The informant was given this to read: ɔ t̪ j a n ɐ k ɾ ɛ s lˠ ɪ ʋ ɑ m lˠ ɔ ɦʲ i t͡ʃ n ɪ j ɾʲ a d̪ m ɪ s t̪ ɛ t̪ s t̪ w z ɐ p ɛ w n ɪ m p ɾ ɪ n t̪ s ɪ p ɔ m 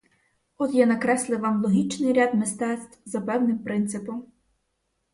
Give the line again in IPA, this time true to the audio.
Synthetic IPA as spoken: ɔ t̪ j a n ɐ k ɾ ɛ s lˠ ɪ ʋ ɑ m lˠ ɔ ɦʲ i t͡ʃ n ɪ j ɾʲ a d̪ m ɪ s t̪ ɛ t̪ s t̪ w z ɐ p ɛ w n ɪ m p ɾ ɪ n t̪ s ɪ p ɔ m